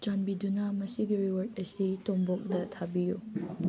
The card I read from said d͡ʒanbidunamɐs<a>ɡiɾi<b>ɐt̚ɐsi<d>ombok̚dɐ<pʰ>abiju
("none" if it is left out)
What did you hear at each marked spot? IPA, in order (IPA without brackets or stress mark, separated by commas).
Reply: i, w, t, tʰ